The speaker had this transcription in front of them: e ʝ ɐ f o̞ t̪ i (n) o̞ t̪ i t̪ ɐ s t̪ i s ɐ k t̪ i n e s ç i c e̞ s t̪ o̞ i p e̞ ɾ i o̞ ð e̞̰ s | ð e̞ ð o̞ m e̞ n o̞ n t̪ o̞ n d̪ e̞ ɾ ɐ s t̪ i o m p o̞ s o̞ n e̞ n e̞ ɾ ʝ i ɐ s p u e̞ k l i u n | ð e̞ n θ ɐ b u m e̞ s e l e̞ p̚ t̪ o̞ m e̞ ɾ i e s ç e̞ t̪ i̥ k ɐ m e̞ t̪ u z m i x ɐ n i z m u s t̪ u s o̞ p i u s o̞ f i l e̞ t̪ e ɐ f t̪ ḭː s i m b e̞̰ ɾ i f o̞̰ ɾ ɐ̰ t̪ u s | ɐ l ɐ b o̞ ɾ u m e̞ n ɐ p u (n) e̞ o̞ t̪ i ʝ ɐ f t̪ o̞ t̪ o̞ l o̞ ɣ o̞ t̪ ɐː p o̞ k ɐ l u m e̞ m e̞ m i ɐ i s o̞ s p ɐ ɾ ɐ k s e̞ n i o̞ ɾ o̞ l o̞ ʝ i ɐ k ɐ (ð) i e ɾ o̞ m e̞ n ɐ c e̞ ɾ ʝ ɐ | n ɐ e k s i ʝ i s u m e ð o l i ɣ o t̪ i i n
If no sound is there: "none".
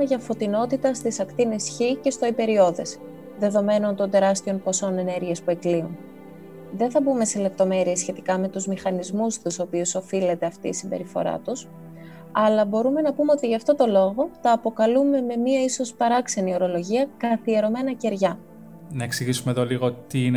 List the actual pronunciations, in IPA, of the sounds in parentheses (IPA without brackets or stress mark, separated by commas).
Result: n, m, θ